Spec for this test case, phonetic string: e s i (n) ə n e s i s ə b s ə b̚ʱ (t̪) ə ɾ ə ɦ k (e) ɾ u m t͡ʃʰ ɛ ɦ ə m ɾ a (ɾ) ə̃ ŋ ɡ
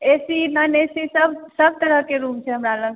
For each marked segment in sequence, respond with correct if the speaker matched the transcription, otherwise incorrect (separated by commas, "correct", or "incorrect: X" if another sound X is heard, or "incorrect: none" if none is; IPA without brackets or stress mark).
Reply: correct, correct, correct, incorrect: l